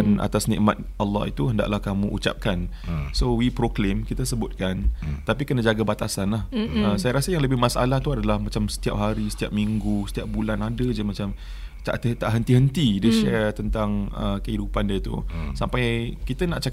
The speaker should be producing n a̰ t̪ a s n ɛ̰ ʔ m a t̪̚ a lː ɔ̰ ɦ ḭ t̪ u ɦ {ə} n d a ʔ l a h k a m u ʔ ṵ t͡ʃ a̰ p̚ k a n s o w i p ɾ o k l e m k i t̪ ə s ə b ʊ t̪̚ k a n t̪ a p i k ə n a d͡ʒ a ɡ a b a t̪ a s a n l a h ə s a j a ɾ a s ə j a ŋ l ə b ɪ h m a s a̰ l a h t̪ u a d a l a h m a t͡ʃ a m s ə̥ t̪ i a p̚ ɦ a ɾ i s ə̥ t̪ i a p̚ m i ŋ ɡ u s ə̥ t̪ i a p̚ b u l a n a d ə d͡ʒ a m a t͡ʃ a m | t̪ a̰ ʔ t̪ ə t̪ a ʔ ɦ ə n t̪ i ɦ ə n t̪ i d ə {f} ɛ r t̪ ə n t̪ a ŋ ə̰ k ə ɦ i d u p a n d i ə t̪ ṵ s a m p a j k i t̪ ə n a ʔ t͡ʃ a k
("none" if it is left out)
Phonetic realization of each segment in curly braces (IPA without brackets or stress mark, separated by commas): ə, ʃ